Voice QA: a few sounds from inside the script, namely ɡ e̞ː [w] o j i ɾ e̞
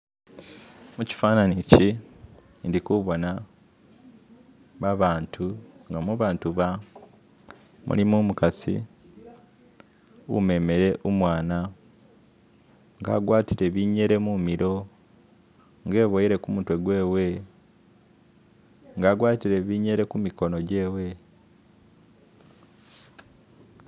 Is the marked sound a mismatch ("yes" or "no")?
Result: yes